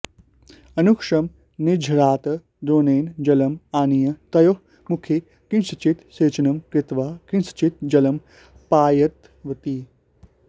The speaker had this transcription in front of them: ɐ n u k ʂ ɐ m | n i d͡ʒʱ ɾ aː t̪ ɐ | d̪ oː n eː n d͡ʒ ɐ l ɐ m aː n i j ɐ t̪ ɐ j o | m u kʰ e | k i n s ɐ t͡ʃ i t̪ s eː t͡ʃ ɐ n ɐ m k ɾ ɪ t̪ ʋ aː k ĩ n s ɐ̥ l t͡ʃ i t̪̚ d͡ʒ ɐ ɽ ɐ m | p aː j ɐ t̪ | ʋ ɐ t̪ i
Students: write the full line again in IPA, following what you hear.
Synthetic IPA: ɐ n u k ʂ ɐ m | n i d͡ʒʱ ɾ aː t̪ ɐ | d̪ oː n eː n d͡ʒ ɐ l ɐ m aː n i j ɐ t̪ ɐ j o | m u kʰ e | k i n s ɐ t͡ʃ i t̪ s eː t͡ʃ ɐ n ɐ m k ɾ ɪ t̪ ʋ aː k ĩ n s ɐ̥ t͡ʃ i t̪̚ d͡ʒ ɐ l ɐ m | p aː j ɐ t̪ | ʋ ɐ t̪ i

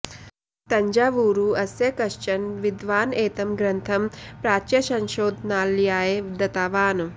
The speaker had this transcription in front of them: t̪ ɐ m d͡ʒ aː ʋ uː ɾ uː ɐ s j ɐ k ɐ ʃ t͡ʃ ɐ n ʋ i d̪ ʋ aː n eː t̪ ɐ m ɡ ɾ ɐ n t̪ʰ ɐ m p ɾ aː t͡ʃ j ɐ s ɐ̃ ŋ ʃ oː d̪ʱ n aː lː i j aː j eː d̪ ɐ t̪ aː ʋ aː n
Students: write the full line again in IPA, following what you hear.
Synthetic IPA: t̪ ɐ ɲ d͡ʒ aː ʋ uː ɾ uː ɐ s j ɐ k ɐ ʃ t͡ʃ ɐ n ʋ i d̪ ʋ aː n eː t̪ ɐ m ɡ ɾ ɐ n t̪ʰ ɐ m p ɾ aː t͡ʃ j ɐ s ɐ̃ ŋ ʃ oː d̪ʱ n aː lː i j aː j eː d̪ ɐ t̪ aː ʋ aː n

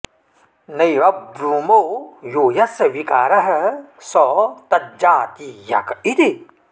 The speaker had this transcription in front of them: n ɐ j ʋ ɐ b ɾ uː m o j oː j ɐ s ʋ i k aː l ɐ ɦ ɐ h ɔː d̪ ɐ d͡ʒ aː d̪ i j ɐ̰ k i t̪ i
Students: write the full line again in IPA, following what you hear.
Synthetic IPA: n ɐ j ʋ ɐ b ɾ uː m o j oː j ɐ s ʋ i k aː ɾ ɐ ɦ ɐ s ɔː t̪ ɐ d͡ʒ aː t̪ i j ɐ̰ k i t̪ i

